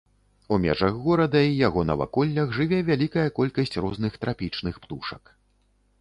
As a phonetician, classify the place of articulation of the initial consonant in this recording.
labial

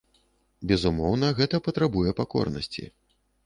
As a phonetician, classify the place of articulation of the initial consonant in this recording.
labial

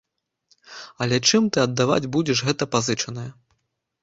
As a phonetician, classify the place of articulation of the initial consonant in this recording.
alveolar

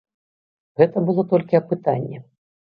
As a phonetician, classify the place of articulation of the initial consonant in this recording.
velar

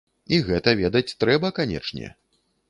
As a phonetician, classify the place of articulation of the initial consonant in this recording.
velar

